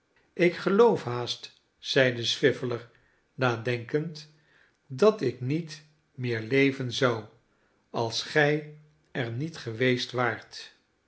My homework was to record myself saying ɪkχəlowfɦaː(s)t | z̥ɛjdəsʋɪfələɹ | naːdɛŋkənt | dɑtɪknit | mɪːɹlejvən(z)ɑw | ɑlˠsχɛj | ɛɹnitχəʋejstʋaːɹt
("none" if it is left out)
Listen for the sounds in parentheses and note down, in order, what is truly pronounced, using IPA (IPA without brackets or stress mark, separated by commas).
s, z